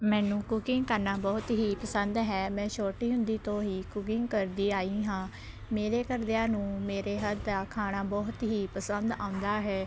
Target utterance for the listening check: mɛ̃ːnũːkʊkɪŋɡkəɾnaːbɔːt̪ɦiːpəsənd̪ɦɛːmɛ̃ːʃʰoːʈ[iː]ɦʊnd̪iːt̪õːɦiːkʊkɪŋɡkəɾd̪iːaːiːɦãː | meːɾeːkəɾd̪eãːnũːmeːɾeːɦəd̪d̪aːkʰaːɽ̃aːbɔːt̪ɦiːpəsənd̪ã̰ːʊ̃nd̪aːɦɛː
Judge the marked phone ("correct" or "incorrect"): correct